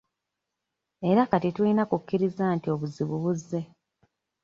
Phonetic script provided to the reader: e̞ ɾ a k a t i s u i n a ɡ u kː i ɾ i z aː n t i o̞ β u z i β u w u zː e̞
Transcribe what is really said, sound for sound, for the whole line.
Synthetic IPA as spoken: e̞ ɾ a k a t i t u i n a k u kː i ɾ i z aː n t i o̞ β u z i β u β u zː e̞